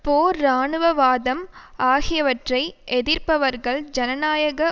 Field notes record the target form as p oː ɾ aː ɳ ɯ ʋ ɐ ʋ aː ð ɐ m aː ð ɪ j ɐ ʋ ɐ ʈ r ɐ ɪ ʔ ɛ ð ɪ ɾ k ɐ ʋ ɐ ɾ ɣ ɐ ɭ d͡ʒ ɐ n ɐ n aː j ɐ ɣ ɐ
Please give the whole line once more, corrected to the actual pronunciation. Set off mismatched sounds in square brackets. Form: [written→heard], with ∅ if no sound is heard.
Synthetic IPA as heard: p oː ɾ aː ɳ ɯ ʋ ɐ ʋ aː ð ɐ m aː [ð→ɣ] ɪ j ɐ ʋ ɐ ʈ r ɐ ɪ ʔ ɛ ð ɪ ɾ [k→p] ɐ ʋ ɐ ɾ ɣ ɐ ɭ d͡ʒ ɐ n ɐ n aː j ɐ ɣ ɐ